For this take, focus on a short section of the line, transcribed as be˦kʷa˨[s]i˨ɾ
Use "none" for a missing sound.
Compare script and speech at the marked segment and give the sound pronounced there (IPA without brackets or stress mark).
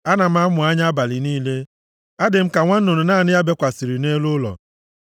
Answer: s